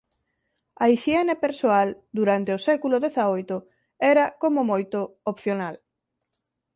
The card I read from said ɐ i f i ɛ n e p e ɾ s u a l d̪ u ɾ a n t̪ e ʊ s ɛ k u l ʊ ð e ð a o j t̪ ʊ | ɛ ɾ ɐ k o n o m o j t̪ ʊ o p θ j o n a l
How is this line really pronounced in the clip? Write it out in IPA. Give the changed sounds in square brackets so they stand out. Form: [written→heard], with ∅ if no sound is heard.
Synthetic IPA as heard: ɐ i [f→ʃ] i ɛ n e p e ɾ s [u→o] a l d̪ u ɾ a n t̪ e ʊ s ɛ k u l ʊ ð e [ð→θ] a o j t̪ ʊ | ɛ ɾ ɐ k o [n→m] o m o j t̪ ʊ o p θ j o n a l